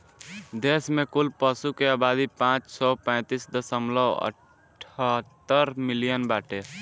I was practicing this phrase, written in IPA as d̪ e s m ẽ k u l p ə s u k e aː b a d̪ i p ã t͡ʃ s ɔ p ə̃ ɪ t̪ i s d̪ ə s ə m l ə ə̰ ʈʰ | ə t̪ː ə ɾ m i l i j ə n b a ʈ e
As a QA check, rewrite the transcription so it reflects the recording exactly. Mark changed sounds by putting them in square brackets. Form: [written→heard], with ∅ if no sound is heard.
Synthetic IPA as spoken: d̪ e s m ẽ k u l p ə s u k e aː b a d̪ i p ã t͡ʃ s ɔ p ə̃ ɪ t̪ i s d̪ ə s ə m l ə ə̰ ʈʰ | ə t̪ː ə ɾ m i l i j ə n b a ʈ e